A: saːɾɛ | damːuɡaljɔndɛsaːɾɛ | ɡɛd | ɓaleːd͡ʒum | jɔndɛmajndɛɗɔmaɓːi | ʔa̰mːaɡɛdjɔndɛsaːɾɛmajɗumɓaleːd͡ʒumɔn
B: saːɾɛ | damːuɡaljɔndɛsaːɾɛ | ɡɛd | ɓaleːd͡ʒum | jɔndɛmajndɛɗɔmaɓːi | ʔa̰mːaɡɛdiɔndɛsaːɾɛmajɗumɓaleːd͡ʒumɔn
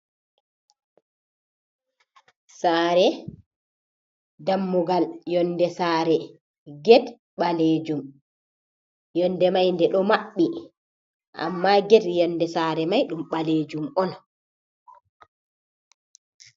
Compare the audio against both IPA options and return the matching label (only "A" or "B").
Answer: A